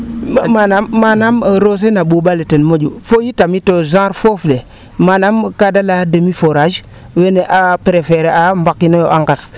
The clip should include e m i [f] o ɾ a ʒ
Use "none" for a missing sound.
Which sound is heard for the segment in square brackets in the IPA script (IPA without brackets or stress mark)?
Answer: f